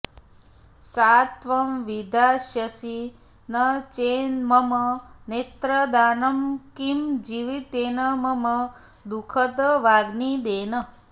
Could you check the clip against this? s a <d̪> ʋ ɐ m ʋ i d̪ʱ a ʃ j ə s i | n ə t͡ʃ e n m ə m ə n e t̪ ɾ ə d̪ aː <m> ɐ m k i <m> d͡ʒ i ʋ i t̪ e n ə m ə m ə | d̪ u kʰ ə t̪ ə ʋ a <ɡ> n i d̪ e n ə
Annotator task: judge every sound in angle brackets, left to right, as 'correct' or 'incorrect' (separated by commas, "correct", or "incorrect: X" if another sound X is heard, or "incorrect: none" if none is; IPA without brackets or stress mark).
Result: incorrect: t̪, incorrect: n, correct, correct